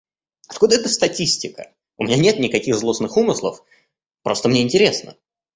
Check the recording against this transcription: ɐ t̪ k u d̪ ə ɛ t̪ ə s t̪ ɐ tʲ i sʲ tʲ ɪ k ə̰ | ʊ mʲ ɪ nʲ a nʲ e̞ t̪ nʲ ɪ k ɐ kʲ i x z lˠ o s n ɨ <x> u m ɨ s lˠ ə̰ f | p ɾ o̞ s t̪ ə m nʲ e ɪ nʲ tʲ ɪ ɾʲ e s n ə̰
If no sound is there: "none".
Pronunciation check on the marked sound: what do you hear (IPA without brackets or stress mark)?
x